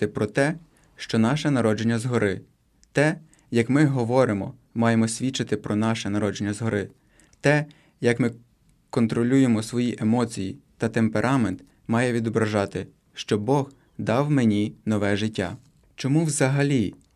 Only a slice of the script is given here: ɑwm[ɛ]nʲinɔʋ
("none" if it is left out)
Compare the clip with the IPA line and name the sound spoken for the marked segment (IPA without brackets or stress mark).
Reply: e